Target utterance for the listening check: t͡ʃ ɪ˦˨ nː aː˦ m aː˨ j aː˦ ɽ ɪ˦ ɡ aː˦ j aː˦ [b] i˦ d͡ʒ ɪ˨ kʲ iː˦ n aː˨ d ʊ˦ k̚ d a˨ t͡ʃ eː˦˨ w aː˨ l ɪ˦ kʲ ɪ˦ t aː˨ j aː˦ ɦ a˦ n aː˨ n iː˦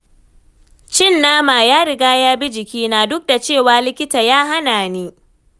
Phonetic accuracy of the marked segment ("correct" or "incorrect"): correct